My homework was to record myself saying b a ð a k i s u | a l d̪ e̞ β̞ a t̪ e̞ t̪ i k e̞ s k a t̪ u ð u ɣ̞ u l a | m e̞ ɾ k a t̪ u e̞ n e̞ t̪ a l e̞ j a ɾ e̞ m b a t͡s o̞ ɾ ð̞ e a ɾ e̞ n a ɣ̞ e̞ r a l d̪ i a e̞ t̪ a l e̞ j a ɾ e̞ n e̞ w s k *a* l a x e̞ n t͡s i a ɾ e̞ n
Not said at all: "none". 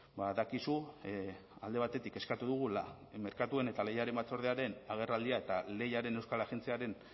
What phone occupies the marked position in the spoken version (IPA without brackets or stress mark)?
a